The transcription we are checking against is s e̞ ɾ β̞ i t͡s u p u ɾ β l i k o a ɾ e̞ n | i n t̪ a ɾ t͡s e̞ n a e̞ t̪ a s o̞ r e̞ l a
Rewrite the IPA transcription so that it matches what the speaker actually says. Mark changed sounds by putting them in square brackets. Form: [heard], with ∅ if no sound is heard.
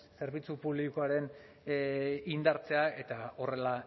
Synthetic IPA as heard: s e̞ ɾ β̞ i t͡s u p u [∅] β l i k o a ɾ e̞ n | i n [d̪] a ɾ t͡s e̞ [∅] a e̞ t̪ a [∅] o̞ r e̞ l a